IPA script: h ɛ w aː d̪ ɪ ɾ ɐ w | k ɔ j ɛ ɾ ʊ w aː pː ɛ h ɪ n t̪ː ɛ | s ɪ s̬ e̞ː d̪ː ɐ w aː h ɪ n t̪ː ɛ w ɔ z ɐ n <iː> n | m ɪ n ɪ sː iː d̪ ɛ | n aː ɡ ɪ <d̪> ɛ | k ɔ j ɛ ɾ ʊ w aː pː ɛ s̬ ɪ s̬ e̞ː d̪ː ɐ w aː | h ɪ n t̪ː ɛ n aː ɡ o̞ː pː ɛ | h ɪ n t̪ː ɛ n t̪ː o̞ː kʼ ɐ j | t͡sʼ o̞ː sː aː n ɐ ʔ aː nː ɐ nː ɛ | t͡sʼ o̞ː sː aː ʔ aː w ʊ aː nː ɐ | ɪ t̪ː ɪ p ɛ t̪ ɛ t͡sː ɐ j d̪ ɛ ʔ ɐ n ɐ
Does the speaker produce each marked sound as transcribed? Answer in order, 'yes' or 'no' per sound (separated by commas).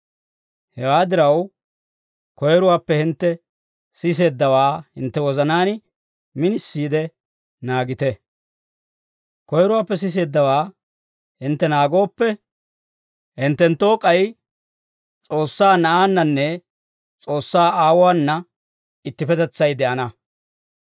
no, no